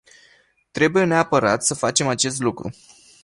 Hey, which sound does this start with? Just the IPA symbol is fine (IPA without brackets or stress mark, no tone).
t̪